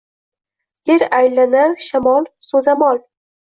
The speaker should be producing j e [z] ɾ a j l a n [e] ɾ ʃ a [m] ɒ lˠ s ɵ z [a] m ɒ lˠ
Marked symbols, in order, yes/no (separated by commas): no, no, yes, yes